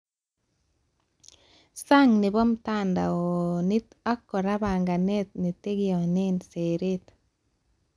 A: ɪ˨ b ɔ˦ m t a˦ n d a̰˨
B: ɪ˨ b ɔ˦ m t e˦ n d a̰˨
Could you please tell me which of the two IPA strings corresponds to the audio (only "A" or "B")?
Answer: A